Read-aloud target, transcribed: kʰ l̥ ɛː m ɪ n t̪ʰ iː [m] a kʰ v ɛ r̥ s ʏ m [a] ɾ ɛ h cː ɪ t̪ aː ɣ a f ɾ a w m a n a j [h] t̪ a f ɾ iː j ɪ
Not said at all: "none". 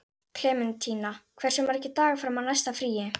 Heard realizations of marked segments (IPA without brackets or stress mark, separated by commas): n, a, s